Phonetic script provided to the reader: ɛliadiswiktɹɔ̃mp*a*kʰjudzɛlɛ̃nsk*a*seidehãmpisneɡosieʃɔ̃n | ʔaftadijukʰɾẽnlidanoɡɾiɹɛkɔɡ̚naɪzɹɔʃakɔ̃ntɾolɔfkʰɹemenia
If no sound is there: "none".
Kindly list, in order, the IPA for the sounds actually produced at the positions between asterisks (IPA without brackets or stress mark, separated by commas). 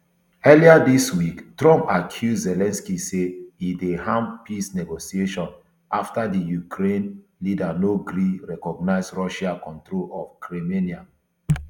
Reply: a, i